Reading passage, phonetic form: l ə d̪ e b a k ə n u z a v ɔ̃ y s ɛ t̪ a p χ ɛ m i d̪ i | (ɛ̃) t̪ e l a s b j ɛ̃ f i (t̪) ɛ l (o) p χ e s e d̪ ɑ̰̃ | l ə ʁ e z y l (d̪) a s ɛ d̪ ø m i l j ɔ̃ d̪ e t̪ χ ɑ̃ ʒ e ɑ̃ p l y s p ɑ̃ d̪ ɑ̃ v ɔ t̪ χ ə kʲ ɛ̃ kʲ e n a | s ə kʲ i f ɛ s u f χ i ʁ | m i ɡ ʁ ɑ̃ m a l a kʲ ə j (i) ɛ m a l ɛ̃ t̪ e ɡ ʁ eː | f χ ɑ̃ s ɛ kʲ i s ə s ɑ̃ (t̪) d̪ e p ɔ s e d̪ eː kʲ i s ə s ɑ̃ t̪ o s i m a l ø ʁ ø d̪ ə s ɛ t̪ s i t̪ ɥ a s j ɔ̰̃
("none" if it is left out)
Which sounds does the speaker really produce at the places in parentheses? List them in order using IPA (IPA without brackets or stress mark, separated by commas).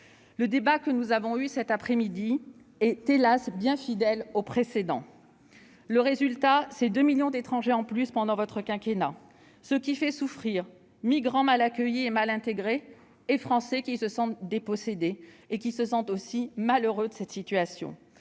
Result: ɛ, d̪, o, t̪, i, t̪